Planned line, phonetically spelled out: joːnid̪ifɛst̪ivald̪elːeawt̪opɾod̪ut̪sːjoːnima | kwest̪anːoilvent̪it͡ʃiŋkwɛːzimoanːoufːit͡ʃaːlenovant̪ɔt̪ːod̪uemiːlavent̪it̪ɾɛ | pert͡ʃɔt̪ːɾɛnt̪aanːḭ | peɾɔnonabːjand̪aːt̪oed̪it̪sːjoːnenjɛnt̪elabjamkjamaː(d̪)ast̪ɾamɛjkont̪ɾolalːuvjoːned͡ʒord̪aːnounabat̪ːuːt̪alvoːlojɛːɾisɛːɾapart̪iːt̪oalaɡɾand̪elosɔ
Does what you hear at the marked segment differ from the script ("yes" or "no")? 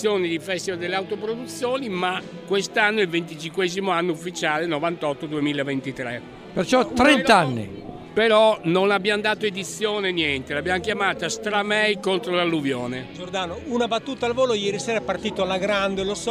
yes